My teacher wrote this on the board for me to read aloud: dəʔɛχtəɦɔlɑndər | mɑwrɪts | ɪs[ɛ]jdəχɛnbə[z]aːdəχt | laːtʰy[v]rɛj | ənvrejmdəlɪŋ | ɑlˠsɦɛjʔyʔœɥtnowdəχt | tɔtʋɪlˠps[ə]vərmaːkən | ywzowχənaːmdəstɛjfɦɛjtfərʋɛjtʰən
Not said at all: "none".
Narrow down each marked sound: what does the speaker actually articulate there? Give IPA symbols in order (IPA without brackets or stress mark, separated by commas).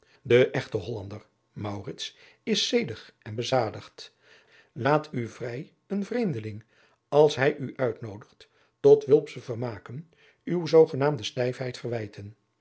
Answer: e, z, v, ə